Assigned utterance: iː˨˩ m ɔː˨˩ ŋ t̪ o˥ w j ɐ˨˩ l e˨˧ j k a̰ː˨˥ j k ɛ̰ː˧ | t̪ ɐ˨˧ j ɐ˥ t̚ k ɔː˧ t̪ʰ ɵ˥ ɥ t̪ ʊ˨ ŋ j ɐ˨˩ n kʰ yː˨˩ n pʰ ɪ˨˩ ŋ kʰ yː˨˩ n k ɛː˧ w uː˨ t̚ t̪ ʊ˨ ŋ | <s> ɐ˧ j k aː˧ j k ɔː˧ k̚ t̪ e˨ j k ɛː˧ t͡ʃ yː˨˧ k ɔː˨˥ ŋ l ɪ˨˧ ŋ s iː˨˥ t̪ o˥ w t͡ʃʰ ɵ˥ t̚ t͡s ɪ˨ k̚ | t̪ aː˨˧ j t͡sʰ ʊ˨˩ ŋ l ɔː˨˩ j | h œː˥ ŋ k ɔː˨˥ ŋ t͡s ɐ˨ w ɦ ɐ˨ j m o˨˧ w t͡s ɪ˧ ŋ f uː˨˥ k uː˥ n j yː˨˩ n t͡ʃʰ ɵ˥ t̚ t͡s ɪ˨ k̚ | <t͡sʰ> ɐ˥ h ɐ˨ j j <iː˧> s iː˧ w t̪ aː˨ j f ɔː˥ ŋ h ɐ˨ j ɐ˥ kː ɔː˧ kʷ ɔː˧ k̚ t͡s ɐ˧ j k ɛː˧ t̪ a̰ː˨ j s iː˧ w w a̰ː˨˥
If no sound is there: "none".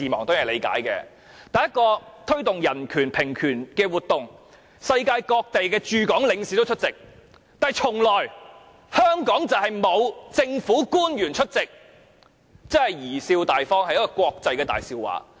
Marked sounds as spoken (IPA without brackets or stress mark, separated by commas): s, t͡s, iː˨˩